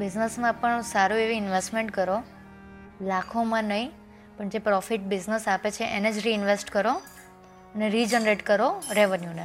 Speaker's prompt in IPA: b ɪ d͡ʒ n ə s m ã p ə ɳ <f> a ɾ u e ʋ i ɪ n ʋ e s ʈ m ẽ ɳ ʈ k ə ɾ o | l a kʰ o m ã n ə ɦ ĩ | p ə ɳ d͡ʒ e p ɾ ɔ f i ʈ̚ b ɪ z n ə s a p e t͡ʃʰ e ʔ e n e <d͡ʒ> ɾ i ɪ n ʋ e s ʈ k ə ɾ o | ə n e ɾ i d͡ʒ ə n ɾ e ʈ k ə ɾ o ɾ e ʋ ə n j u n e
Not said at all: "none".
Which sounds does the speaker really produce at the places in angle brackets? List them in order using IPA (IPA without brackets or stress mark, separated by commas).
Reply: s, d͡ʒ